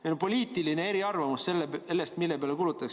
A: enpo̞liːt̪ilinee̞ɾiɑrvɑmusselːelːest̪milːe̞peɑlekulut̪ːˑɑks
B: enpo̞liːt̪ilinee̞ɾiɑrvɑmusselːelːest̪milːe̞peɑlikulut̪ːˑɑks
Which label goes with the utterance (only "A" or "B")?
A